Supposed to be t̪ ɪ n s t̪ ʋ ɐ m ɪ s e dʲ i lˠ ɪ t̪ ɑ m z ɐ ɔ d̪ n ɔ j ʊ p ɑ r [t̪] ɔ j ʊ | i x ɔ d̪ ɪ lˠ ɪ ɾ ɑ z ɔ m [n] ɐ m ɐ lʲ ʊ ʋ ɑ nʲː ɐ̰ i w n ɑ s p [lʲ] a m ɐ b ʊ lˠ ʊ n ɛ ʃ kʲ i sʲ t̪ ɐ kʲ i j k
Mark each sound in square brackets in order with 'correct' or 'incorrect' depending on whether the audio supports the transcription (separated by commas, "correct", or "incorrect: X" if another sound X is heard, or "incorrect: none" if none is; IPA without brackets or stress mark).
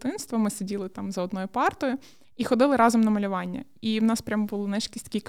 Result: correct, correct, incorrect: ɾʲ